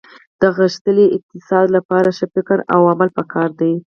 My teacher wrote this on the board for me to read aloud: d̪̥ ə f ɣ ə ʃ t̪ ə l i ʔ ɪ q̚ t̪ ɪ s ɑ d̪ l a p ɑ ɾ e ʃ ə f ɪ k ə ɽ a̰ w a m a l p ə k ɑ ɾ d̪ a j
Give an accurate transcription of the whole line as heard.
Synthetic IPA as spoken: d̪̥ ə ɣ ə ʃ t̪ ə l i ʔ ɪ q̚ t̪ ɪ s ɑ d̪ l a p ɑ ɾ a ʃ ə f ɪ k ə ɾ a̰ w a m a l p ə k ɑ ɾ d̪ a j